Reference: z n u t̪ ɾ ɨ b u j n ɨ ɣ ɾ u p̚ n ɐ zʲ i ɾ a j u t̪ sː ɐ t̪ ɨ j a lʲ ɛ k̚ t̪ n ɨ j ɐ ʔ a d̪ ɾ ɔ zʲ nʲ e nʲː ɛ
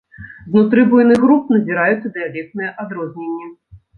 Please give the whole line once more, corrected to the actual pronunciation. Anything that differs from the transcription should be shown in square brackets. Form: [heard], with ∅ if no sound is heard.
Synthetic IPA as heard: z n u t̪ ɾ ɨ b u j n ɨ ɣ ɾ u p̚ n ɐ zʲ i ɾ a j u t̪ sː ɐ [d̪] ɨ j a lʲ ɛ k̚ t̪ n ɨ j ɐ ʔ a d̪ ɾ ɔ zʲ nʲ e nʲː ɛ